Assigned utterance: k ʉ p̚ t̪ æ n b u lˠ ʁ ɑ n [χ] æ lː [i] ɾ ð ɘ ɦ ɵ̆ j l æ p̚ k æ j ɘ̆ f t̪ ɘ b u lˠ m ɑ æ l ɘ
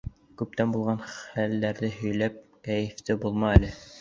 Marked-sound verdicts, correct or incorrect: correct, incorrect: æ

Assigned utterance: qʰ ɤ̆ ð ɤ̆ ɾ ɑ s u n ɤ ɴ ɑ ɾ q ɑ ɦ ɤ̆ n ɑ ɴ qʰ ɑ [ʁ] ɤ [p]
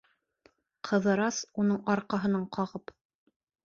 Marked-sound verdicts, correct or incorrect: correct, correct

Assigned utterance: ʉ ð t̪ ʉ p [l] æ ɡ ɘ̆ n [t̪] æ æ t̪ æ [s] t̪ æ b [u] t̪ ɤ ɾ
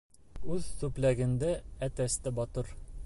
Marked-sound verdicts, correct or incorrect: correct, incorrect: d̪, correct, incorrect: ɒ

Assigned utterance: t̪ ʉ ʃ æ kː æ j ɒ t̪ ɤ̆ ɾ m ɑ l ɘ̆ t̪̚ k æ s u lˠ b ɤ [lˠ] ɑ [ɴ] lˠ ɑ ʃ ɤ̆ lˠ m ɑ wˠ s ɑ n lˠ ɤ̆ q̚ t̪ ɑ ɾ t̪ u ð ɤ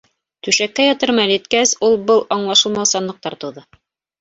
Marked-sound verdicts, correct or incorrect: correct, correct

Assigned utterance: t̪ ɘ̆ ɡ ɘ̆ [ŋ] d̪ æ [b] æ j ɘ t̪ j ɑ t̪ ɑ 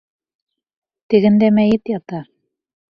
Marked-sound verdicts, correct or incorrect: incorrect: n, incorrect: m

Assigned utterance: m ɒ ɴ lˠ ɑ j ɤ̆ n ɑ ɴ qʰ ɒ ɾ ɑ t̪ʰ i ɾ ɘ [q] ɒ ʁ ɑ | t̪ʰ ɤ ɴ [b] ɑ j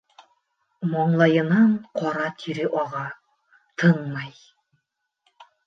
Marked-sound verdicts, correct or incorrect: incorrect: ʔ, incorrect: m

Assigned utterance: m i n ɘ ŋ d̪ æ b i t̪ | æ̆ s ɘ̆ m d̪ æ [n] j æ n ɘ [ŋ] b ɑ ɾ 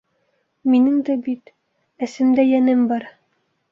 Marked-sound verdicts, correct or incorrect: incorrect: none, incorrect: m

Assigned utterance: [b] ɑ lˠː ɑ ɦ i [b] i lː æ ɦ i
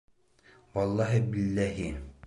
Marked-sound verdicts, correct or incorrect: incorrect: w, correct

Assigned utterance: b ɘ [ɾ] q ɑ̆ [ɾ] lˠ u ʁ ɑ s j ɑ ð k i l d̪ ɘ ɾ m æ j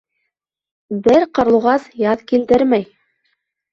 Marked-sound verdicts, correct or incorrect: correct, correct

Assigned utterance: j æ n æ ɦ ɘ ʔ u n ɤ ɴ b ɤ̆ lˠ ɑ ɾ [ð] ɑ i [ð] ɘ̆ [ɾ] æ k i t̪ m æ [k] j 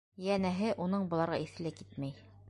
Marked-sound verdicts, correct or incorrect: incorrect: ʁ, incorrect: θ, incorrect: l, incorrect: none

